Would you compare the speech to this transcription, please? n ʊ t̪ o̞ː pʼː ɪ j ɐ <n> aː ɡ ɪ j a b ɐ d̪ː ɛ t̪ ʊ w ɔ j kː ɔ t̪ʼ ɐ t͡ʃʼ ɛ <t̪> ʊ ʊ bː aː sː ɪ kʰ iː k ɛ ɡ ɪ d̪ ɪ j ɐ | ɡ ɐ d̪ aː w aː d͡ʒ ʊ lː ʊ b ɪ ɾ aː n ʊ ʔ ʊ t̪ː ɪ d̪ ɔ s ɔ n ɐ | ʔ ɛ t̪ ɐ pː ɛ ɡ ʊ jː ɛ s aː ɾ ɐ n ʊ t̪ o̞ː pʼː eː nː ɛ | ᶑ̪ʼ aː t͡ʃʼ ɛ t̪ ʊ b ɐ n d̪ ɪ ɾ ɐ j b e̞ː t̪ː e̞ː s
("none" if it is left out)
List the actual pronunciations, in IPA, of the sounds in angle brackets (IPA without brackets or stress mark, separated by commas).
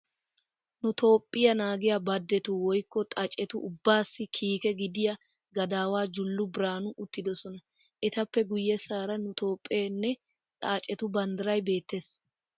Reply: n, t̪